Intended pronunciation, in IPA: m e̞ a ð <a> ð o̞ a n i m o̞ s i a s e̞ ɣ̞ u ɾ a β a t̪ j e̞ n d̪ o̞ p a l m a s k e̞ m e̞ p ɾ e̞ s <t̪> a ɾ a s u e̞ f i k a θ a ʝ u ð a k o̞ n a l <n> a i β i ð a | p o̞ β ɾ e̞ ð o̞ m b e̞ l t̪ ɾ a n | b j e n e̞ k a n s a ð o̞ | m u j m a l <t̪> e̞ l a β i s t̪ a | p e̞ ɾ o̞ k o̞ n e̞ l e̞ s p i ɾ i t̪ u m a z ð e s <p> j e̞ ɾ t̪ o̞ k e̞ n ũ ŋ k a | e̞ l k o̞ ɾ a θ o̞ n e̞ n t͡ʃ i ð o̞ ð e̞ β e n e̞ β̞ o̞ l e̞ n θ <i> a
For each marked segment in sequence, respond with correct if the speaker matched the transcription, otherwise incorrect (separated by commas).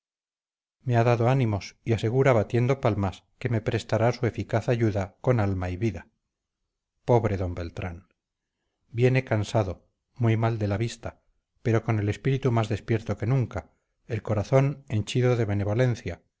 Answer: correct, correct, incorrect, incorrect, correct, incorrect